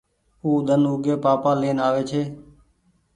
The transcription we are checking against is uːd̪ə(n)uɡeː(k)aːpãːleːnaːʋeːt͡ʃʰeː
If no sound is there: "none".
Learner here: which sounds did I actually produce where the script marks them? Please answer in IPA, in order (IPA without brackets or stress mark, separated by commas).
n, p